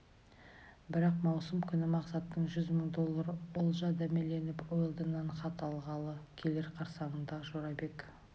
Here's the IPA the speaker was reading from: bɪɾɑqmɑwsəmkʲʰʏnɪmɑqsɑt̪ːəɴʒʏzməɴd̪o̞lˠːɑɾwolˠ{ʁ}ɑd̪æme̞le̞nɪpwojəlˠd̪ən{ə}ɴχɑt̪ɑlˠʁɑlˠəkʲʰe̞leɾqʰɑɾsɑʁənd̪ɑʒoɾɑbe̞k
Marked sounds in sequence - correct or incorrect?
incorrect, incorrect

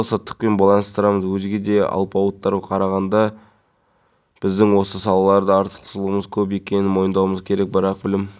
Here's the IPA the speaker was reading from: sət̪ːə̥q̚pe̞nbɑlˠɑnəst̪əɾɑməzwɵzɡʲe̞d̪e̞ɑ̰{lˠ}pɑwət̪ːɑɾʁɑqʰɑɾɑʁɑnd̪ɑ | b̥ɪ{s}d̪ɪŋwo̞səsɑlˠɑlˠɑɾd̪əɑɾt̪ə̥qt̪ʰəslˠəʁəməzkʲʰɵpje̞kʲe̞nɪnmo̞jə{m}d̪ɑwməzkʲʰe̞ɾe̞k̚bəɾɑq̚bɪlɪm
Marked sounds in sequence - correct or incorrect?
correct, incorrect, incorrect

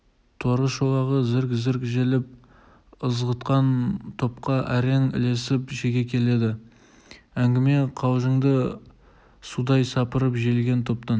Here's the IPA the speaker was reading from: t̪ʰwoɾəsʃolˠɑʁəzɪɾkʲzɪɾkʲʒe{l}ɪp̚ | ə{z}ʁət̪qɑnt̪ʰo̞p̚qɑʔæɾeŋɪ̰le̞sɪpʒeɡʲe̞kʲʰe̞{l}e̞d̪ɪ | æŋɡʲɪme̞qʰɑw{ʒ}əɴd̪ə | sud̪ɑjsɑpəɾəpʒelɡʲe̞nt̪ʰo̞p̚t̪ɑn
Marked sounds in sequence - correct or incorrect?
correct, correct, correct, correct

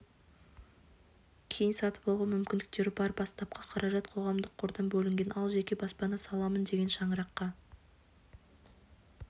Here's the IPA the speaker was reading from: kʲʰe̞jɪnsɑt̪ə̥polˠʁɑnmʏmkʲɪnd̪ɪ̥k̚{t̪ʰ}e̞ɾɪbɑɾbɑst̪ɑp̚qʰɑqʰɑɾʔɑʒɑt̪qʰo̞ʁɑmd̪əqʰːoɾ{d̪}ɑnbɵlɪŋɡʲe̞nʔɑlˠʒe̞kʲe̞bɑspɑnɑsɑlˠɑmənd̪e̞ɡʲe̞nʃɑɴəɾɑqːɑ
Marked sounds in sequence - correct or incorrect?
incorrect, correct

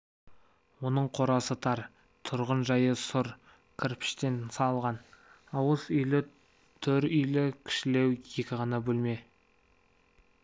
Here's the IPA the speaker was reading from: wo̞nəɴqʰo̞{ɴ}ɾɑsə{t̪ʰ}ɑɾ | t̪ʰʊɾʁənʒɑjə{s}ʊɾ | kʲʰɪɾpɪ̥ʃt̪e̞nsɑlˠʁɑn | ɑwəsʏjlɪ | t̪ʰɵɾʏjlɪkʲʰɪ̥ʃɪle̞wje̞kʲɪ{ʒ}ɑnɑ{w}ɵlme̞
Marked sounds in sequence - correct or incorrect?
incorrect, correct, correct, incorrect, incorrect

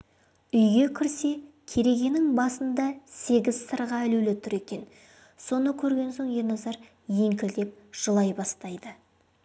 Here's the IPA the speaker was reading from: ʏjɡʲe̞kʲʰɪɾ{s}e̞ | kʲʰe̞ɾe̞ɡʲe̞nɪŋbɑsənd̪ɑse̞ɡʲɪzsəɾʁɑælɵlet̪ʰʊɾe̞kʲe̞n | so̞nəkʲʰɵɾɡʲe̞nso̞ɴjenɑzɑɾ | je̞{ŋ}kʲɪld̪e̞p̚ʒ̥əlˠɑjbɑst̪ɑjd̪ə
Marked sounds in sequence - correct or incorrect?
correct, correct

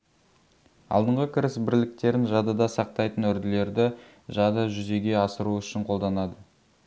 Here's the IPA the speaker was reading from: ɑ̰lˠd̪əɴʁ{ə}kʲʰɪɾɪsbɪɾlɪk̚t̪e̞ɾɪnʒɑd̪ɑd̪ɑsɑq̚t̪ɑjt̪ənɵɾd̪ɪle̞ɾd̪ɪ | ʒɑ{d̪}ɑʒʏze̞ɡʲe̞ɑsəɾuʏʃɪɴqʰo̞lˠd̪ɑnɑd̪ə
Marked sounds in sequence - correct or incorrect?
correct, correct

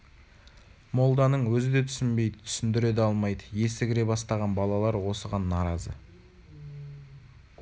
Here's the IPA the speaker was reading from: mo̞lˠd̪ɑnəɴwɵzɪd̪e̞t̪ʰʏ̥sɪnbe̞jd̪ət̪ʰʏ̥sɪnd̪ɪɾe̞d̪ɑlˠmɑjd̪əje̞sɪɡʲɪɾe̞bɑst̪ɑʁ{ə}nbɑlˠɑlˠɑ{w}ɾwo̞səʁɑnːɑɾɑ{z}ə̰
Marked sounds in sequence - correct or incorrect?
incorrect, incorrect, correct

